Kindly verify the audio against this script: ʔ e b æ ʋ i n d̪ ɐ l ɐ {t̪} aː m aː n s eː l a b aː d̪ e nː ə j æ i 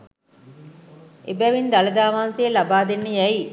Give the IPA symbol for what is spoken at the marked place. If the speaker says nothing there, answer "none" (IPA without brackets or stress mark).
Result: d̪